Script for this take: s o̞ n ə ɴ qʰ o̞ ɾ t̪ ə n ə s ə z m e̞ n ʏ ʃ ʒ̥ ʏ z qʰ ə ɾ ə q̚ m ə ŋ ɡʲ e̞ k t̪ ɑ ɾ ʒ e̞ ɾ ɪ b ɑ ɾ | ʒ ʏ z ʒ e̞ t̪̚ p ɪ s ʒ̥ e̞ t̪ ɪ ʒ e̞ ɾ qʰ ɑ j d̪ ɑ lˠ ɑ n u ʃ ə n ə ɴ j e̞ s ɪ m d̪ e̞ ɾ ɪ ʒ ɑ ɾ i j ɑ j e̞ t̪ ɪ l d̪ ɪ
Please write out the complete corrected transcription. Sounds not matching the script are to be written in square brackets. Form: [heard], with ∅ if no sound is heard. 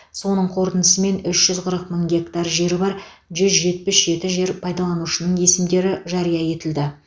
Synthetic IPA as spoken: s o̞ n ə ɴ qʰ o̞ ɾ t̪ ə n ə s ə [∅] m e̞ n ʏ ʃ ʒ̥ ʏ z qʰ ə ɾ ə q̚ m ə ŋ ɡʲ e̞ k t̪ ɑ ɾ ʒ e̞ ɾ ɪ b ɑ ɾ | ʒ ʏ z ʒ e̞ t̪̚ p ɪ s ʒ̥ e̞ t̪ ɪ ʒ e̞ ɾ [pʰ] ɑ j d̪ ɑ lˠ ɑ n u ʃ ə n ə ɴ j e̞ s ɪ m d̪ e̞ ɾ ɪ ʒ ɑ ɾ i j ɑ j e̞ t̪ ɪ l d̪ ɪ

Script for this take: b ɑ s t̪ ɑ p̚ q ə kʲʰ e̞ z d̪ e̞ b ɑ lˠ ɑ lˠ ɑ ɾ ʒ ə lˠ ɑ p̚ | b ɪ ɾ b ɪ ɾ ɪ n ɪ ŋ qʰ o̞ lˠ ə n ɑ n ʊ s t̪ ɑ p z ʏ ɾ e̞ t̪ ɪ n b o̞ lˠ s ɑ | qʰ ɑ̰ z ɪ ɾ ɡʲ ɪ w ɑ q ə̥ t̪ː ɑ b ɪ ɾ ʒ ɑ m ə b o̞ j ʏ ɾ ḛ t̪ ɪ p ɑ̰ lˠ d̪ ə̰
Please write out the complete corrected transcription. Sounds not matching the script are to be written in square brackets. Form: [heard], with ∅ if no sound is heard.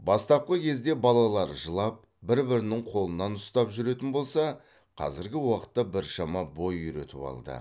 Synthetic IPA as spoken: b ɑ s t̪ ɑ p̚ q ə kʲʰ e̞ z d̪ e̞ b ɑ lˠ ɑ lˠ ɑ ɾ ʒ ə lˠ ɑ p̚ | b ɪ ɾ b ɪ ɾ ɪ n ɪ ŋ qʰ o̞ lˠ ə n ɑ n ʊ s t̪ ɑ p [ʒ] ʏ ɾ e̞ t̪ ɪ n b o̞ lˠ s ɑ | qʰ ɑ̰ z ɪ ɾ ɡʲ ɪ w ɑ q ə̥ t̪ː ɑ b ɪ ɾ [ʃ] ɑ m [ɑ] b o̞ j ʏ ɾ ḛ t̪ ɪ p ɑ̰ lˠ d̪ ə̰

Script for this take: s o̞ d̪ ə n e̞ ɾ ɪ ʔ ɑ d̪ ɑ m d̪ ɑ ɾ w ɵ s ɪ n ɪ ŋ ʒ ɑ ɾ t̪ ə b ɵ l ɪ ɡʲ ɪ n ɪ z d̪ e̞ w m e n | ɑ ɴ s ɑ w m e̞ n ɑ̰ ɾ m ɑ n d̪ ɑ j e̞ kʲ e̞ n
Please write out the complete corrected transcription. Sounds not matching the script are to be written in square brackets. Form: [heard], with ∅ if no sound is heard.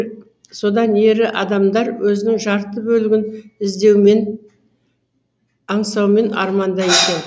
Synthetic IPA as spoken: s o̞ d̪ [ɑ] n e̞ ɾ ɪ ʔ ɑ d̪ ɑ m d̪ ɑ ɾ w ɵ [z] ɪ n ɪ ŋ ʒ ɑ ɾ t̪ ə b ɵ l ɪ ɡʲ ɪ n ɪ z d̪ e̞ w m e n | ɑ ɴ s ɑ w m e̞ n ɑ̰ ɾ m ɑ n d̪ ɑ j e̞ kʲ e̞ n

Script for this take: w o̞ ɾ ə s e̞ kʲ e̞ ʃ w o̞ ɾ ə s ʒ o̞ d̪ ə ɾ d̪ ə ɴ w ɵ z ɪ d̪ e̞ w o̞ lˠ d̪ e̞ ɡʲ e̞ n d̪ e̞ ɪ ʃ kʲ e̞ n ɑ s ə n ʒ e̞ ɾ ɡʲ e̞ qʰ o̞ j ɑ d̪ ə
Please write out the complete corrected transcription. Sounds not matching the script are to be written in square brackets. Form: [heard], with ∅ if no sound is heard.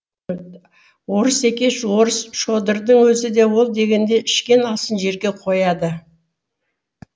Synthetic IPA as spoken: w o̞ ɾ ə s e̞ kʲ e̞ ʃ w o̞ ɾ ə s [ʃ] o̞ d̪ ə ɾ d̪ ə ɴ w ɵ z ɪ d̪ e̞ w o̞ lˠ d̪ e̞ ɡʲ e̞ n d̪ e̞ ɪ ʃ kʲ e̞ n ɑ s ə n ʒ e̞ ɾ ɡʲ e̞ qʰ o̞ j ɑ d̪ ə

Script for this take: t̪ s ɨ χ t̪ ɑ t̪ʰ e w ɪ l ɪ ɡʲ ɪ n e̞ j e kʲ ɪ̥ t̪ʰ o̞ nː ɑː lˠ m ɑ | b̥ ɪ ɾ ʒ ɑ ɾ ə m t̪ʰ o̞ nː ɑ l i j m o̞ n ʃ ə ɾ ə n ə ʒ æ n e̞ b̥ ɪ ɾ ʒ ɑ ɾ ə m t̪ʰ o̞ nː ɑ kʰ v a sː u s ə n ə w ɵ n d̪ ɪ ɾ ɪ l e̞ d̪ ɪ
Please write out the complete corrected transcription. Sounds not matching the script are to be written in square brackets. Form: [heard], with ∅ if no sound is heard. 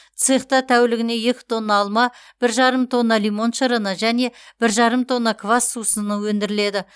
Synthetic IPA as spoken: t̪ s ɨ χ t̪ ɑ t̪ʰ [æ] w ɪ l ɪ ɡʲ ɪ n e̞ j e kʲ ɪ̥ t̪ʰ o̞ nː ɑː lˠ m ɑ | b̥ ɪ ɾ ʒ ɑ ɾ ə m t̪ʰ o̞ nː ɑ l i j m o̞ n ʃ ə ɾ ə n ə ʒ æ n e̞ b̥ ɪ ɾ ʒ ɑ ɾ ə m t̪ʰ o̞ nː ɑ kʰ v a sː u s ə n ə w ɵ n d̪ ɪ ɾ ɪ l e̞ d̪ ɪ

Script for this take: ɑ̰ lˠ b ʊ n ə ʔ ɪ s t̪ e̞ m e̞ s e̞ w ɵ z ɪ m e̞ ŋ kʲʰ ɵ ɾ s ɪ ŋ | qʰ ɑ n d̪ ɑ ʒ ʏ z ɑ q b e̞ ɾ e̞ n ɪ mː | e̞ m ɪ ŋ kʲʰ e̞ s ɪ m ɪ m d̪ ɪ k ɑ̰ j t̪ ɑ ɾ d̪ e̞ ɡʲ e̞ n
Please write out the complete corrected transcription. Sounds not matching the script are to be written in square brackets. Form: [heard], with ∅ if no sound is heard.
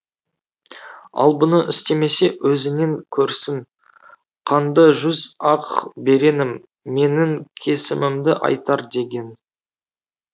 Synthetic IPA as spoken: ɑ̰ lˠ b ʊ n ə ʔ ɪ s t̪ e̞ m e̞ s e̞ w ɵ z ɪ [n] e̞ ŋ kʲʰ ɵ ɾ s ɪ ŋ | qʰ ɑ n d̪ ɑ ʒ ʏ z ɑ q b e̞ ɾ e̞ n ɪ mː | e̞ [n] ɪ ŋ kʲʰ e̞ s ɪ m ɪ m d̪ ɪ [ʔ] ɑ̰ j t̪ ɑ ɾ d̪ e̞ ɡʲ e̞ n

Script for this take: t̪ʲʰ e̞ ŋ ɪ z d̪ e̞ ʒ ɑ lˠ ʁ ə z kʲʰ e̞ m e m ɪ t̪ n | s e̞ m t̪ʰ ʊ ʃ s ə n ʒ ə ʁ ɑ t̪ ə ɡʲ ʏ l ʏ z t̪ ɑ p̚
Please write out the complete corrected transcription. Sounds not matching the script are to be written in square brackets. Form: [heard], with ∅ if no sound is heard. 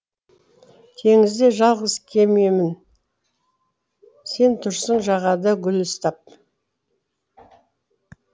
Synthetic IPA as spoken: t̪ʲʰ e̞ ŋ ɪ z d̪ e̞ ʒ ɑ lˠ ʁ ə z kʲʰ e̞ m e m ɪ [∅] n | s e̞ [n] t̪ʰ ʊ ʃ s ə [ɴ] ʒ [ɑ] ʁ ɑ [d̪] ə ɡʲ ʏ l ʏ [s] t̪ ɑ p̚

